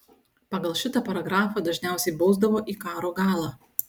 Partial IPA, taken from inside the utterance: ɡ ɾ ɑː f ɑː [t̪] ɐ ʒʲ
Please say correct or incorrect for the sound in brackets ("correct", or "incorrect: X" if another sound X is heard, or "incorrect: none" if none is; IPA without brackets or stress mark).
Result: incorrect: d̪